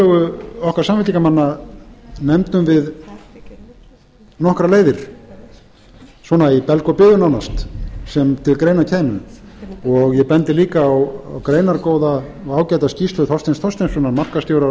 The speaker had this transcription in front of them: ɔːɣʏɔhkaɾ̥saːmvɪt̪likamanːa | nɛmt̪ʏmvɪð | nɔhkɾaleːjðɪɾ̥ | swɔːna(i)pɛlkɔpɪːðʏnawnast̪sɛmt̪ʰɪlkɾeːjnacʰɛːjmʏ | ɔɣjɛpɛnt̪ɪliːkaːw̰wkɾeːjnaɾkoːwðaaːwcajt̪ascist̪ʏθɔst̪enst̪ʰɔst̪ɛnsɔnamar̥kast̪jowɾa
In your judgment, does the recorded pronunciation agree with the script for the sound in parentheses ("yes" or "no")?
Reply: yes